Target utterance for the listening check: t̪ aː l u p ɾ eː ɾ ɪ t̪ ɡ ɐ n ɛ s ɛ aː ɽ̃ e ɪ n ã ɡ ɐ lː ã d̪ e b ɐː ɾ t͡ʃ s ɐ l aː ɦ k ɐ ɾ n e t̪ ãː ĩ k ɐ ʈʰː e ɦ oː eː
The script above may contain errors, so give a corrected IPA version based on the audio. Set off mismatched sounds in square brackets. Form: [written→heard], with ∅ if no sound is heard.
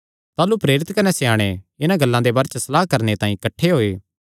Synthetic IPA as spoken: t̪ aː l u p ɾ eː ɾ ɪ t̪ [ɡ→k] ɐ n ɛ s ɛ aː ɽ̃ e ɪ n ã ɡ ɐ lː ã d̪ e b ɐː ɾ t͡ʃ s ɐ l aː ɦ k ɐ ɾ n e t̪ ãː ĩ k ɐ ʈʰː e ɦ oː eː